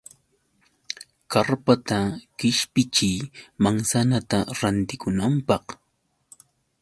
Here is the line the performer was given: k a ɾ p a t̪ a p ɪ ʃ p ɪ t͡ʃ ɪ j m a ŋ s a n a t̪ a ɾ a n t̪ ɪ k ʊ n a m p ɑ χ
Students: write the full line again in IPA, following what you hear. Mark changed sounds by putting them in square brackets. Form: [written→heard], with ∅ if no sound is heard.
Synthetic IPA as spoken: k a ɾ p a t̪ a [p→k] ɪ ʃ p ɪ t͡ʃ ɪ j m a ŋ s a n a t̪ a ɾ a n t̪ ɪ k ʊ n a m p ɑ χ